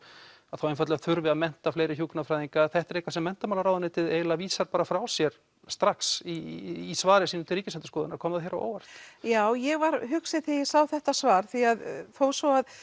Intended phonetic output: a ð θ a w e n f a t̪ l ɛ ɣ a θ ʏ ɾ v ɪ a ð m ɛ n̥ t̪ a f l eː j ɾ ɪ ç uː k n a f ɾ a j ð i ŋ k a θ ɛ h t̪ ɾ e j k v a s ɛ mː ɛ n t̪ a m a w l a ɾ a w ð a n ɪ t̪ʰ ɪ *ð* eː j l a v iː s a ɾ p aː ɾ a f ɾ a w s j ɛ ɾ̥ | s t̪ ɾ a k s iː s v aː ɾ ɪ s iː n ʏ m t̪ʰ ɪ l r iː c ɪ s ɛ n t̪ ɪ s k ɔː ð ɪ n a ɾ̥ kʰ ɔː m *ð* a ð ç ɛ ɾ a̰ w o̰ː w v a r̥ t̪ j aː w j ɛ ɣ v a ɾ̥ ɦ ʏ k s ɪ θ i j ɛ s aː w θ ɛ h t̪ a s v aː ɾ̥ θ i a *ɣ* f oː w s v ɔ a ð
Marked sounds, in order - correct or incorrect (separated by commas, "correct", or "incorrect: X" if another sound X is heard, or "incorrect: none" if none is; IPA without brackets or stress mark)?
correct, correct, incorrect: ð